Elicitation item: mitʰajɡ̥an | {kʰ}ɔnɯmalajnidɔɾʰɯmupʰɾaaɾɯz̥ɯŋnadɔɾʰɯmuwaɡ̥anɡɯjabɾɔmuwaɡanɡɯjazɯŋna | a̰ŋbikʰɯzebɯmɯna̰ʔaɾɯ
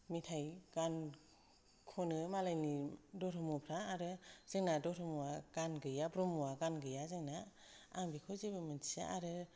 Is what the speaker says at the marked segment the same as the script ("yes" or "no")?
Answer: yes